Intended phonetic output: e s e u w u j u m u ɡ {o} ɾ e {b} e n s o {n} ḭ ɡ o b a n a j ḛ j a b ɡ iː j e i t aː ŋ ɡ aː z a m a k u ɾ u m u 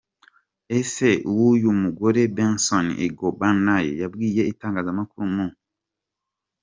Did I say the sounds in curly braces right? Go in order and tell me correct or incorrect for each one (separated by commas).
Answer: correct, correct, correct